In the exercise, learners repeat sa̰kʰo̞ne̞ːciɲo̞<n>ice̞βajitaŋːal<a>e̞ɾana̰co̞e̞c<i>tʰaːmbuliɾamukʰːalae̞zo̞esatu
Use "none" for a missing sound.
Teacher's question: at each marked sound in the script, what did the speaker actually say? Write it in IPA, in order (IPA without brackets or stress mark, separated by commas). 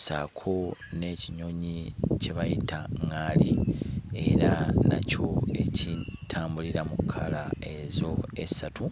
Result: ɲ, i, i